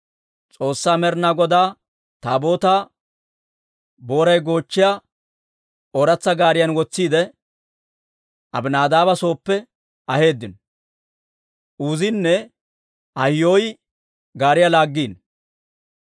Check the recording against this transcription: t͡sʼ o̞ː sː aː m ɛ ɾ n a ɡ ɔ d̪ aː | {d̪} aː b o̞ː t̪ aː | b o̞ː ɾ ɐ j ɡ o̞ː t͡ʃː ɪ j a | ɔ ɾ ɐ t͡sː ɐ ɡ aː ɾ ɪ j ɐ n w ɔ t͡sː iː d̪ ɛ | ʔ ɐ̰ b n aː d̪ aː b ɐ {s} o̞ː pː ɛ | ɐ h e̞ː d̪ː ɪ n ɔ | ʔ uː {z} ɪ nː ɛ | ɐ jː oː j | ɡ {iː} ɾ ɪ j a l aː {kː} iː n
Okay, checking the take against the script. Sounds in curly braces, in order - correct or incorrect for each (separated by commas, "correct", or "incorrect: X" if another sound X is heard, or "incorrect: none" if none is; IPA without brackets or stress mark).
incorrect: t̪, correct, correct, incorrect: aː, incorrect: ɡː